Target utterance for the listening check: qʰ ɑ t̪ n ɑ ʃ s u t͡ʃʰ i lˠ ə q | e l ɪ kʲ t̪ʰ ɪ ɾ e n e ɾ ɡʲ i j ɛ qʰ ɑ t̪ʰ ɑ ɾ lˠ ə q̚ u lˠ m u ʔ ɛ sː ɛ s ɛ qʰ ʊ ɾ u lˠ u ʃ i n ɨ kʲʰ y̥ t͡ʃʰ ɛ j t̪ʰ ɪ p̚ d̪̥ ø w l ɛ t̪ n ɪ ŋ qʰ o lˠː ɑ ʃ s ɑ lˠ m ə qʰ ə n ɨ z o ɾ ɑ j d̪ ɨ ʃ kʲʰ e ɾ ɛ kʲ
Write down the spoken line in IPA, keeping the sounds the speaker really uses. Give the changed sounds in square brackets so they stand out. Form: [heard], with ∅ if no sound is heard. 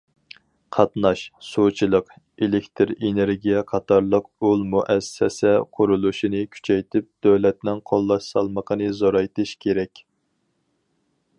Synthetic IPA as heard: qʰ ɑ t̪ n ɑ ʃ s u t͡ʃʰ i lˠ ə q | e l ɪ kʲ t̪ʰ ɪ ɾ e n e ɾ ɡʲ i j ɛ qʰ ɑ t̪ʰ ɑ ɾ lˠ ə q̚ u lˠ m u ʔ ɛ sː ɛ s ɛ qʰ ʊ ɾ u lˠ u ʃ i n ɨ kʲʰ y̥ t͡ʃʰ ɛ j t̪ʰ ɪ p̚ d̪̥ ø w l ɛ t̪ n ɪ ŋ qʰ o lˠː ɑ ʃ s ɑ lˠ m ə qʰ ə n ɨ z o ɾ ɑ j [t̪] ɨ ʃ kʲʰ e ɾ ɛ kʲ